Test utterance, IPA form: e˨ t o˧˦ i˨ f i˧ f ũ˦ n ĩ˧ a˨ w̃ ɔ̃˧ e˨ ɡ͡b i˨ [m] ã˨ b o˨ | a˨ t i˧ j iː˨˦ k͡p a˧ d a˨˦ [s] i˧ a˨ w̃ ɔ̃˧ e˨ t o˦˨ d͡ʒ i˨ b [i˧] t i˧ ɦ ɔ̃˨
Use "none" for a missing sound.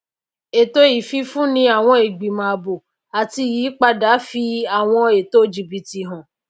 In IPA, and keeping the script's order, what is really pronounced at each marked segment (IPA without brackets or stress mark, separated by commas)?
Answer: m, f, i˧